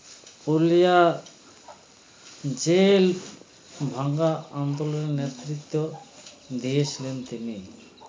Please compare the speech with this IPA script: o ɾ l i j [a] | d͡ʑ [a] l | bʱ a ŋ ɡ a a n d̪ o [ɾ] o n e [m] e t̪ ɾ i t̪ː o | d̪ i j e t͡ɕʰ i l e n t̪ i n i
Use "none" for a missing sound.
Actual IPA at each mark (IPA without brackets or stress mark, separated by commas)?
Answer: a, e, l, n